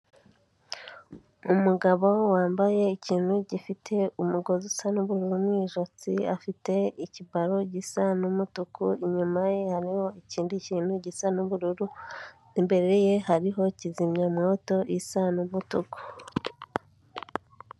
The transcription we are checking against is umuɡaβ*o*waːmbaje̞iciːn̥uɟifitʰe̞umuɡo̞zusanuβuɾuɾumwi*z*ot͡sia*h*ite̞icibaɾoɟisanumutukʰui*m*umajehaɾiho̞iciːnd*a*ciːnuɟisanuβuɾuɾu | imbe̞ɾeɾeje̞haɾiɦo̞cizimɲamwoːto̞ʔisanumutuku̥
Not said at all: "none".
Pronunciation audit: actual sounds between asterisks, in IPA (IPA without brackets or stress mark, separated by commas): o, ʒ, f, ɲ, i